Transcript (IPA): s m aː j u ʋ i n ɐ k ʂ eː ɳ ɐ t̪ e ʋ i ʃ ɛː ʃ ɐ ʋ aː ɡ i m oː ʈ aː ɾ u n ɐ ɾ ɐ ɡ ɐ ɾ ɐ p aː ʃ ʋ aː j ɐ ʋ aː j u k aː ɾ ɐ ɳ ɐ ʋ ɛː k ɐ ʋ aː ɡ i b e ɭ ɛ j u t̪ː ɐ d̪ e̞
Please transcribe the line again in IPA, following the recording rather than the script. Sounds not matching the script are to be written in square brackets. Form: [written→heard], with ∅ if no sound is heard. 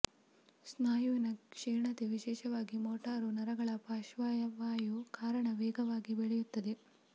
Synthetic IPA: s [m→n] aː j u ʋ i n ɐ k ʂ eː ɳ ɐ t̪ e ʋ i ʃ ɛː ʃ ɐ ʋ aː ɡ i m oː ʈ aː ɾ u n ɐ ɾ ɐ ɡ ɐ [ɾ→ɭ] ɐ p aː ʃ ʋ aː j ɐ ʋ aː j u k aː ɾ ɐ ɳ ɐ ʋ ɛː [k→ɡ] ɐ ʋ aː ɡ i b e ɭ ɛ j u t̪ː ɐ d̪ e̞